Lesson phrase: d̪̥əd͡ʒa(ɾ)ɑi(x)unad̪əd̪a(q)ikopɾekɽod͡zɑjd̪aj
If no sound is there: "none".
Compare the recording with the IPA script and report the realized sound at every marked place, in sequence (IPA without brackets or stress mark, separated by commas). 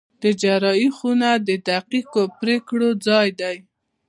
ɾ, x, q